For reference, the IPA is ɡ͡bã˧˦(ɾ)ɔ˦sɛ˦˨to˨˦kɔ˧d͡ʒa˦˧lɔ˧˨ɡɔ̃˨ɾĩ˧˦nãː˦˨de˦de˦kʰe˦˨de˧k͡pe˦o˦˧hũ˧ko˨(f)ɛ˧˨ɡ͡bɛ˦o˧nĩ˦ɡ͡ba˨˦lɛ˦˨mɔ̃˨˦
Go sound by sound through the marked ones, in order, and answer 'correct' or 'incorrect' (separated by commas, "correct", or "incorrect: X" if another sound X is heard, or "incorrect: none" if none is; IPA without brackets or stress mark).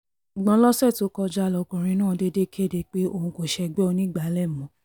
incorrect: l, incorrect: ʃ